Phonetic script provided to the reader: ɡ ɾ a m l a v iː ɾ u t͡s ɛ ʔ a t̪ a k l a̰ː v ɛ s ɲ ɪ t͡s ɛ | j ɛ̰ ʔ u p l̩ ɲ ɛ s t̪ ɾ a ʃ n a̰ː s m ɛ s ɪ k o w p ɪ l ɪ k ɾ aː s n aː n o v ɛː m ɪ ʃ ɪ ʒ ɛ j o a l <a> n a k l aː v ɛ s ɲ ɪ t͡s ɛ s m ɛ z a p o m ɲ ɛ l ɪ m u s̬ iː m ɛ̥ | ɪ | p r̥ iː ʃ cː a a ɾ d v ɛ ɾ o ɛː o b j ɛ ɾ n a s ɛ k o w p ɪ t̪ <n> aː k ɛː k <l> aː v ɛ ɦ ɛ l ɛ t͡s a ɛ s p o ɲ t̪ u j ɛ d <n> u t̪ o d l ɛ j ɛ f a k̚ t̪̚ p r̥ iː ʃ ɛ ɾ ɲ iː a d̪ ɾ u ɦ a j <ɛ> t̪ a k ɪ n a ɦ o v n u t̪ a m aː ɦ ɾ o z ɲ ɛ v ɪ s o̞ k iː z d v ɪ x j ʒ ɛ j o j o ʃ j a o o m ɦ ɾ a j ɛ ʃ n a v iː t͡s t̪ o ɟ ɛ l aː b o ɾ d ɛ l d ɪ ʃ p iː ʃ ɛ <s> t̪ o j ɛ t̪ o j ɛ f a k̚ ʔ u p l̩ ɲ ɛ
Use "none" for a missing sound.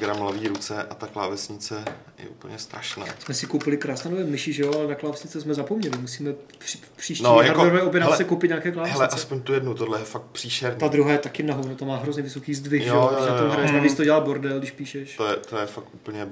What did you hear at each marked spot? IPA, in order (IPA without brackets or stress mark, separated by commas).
ɛ, ɲ, l, n, ɛ, ʃ